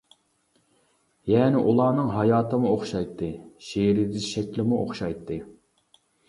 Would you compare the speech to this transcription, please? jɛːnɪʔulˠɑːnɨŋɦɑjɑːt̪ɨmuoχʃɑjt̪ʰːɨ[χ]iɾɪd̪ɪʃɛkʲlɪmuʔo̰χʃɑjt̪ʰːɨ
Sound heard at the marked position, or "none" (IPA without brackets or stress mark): ʃ